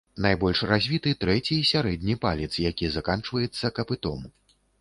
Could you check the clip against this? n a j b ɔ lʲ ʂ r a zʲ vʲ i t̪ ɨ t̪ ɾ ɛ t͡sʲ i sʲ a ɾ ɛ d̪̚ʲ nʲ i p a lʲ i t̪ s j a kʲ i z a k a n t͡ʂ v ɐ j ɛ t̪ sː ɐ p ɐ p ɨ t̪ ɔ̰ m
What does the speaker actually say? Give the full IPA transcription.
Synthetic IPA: n a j b ɔ lʲ ʂ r a zʲ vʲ i t̪ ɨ t̪ ɾ ɛ t͡sʲ i sʲ a ɾ ɛ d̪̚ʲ nʲ i p a lʲ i t̪ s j a kʲ i z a k a n t͡ʂ v ɐ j ɛ t̪ sː ɐ k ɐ p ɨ t̪ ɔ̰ m